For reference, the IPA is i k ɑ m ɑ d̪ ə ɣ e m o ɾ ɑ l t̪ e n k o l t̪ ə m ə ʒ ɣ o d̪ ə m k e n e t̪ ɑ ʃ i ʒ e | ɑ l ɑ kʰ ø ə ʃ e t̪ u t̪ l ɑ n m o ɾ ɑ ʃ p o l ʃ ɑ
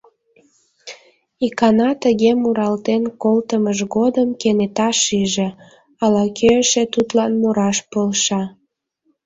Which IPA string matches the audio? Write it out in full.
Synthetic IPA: i k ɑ n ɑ t̪ ə ɣ e m u ɾ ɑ l t̪ e n k o l t̪ ə m ə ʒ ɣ o d̪ ə m k e n e t̪ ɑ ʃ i ʒ e | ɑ l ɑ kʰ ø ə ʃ e t̪ u t̪ l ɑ n m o ɾ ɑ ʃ p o l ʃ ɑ